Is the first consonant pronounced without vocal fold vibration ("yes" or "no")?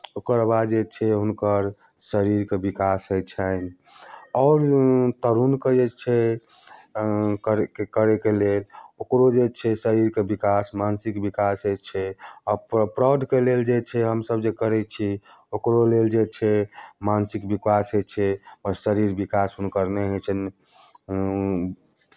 yes